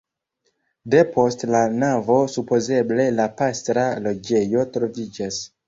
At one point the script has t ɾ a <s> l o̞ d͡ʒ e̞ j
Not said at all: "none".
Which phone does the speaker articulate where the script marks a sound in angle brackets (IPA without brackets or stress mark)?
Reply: none